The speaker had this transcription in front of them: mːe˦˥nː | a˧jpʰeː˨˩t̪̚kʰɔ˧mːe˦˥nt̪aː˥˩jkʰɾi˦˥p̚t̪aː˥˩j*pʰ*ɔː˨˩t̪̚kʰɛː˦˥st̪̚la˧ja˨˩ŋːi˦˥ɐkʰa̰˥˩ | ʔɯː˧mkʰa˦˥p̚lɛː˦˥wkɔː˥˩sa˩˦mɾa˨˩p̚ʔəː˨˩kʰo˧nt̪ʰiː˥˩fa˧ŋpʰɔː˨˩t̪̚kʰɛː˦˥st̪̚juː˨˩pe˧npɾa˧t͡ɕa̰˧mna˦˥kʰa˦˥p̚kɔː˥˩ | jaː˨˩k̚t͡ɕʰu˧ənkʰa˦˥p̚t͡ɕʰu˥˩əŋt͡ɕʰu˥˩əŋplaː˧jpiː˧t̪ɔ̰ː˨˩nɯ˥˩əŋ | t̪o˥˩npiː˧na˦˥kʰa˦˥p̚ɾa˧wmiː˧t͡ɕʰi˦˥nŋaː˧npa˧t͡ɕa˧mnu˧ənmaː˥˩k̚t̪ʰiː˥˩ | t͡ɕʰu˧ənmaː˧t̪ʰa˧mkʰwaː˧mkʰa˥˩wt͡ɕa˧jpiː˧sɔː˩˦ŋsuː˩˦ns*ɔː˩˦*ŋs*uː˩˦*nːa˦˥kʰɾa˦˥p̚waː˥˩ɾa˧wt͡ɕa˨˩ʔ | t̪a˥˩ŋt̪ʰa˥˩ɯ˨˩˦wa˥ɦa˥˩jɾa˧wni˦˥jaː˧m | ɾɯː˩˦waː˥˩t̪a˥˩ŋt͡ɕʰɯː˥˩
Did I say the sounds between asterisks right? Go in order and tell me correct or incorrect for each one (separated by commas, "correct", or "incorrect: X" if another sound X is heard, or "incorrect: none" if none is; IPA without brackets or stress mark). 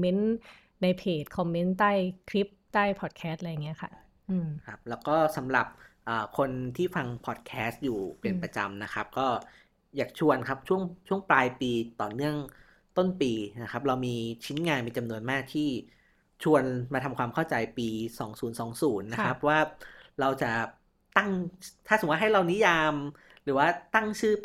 correct, correct, correct